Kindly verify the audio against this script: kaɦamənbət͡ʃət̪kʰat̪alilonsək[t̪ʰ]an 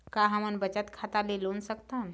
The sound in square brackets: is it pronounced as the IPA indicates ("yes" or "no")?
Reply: no